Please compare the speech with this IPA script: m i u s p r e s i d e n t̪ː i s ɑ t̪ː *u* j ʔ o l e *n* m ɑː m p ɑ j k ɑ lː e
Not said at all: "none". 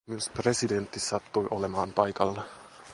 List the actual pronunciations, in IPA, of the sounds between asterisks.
u, none

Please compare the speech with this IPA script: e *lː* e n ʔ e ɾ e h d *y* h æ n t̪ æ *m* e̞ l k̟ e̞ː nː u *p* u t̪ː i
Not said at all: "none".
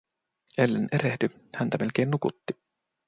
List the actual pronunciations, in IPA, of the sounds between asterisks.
lː, y, m, k

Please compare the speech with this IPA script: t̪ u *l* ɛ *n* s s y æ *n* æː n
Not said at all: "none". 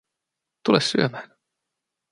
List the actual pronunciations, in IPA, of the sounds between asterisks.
l, none, m

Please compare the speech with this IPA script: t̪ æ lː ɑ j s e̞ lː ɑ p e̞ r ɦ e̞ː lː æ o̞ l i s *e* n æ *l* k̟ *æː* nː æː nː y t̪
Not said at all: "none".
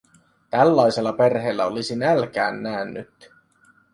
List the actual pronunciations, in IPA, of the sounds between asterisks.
i, l, æː

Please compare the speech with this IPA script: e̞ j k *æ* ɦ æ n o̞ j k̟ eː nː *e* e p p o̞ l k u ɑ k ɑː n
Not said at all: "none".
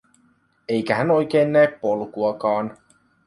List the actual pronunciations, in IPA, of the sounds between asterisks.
æ, æ

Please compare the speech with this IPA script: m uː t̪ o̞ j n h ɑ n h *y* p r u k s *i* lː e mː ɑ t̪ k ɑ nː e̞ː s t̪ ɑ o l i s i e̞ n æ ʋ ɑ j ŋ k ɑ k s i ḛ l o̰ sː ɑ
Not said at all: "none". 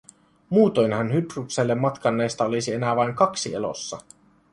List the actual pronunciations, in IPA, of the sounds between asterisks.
y, e

